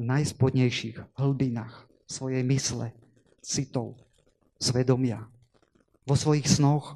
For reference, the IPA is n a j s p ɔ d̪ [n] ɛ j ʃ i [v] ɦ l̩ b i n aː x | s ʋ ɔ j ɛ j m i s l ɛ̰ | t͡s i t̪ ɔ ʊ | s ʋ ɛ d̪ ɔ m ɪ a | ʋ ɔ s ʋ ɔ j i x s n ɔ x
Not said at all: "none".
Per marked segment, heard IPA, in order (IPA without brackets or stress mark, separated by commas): ɲ, ɣ